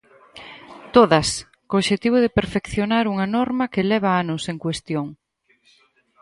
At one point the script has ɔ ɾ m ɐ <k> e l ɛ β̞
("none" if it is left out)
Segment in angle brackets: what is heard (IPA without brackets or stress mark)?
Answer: k